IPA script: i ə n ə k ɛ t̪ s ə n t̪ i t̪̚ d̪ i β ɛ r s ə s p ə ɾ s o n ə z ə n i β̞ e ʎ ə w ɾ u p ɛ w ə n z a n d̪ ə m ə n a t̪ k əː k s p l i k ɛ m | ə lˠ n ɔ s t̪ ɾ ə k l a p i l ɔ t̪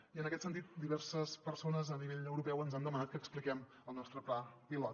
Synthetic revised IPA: i ə n ə k ɛ t̪ s ə n t̪ i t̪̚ d̪ i β ɛ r s ə s p ə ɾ s o n ə z ə n i β̞ e ʎ ə w ɾ u p ɛ w ə n z a n d̪ ə m ə n a t̪ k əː k s p l i k ɛ m | ə lˠ n ɔ s t̪ ɾ ə p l a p i l ɔ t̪